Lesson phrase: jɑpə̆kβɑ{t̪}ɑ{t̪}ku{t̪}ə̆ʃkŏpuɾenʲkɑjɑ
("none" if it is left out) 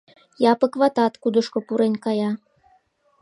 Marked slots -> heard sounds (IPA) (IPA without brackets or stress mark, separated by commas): t̪, t̪, d̪